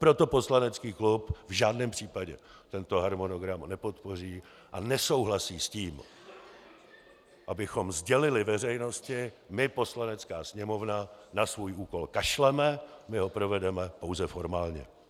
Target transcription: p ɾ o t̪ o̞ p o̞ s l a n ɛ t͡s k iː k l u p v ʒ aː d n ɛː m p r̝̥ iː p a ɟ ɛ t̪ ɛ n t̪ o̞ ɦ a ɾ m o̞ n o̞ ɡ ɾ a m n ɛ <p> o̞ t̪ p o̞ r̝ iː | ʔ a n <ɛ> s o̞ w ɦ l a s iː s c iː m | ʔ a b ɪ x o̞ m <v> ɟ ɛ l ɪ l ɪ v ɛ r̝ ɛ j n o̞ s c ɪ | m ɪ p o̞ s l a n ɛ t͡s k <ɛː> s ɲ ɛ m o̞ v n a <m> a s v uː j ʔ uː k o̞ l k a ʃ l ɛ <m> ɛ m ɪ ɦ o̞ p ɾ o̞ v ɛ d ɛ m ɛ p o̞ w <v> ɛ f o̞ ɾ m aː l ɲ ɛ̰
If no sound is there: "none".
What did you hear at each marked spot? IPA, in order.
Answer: p, ɛ, z, aː, n, m, z

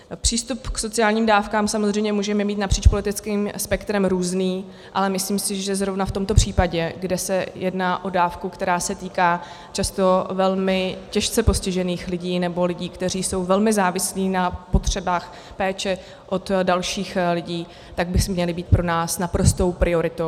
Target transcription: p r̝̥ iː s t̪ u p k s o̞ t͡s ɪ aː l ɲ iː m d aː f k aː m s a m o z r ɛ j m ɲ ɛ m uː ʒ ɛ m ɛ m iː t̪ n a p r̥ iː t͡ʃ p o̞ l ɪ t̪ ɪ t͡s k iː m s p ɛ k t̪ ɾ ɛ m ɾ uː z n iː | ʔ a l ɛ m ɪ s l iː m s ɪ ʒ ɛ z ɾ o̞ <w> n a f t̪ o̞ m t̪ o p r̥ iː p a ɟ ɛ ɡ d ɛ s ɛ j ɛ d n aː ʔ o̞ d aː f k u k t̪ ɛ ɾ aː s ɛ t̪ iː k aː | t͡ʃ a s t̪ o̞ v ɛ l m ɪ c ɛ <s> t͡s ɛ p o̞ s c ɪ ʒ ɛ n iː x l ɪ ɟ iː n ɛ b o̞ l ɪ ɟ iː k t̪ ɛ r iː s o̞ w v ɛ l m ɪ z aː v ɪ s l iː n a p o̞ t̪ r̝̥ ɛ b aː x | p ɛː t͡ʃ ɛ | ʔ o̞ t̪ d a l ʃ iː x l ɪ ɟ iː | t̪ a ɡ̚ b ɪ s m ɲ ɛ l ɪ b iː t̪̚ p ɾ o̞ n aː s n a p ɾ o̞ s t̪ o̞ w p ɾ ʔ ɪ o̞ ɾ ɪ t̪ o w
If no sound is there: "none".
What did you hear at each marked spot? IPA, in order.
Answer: v, ʃ

